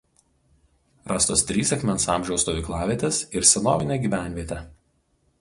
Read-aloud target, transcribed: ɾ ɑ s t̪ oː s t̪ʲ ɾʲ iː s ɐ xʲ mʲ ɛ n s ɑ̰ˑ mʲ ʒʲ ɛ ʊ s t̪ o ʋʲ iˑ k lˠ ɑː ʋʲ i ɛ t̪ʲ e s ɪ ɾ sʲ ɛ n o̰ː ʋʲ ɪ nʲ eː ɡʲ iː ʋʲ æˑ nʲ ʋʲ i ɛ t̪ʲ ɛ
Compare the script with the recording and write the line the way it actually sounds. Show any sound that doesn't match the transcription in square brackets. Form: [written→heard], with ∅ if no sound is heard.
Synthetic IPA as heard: ɾ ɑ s t̪ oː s t̪ʲ ɾʲ iː s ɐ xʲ mʲ ɛ n s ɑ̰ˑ mʲ ʒʲ ɛ ʊ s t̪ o ʋʲ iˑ k lˠ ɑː ʋʲ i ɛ t̪ʲ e s ɪ ɾ sʲ ɛ n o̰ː ʋʲ ɪ nʲ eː ɡʲ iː ʋʲ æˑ nʲ ʋʲ i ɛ t̪ʲ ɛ